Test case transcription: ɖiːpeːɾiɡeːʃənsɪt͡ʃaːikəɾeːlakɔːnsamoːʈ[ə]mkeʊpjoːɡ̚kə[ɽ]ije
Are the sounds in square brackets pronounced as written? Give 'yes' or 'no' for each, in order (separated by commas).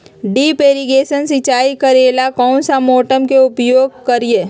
yes, no